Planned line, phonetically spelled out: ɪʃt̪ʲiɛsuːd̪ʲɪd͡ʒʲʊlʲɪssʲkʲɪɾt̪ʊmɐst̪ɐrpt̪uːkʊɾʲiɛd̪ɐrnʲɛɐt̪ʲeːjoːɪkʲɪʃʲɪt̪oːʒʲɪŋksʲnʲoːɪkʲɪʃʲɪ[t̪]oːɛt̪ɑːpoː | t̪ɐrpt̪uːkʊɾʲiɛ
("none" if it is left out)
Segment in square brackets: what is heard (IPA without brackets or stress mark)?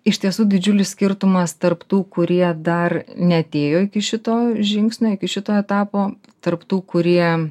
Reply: t̪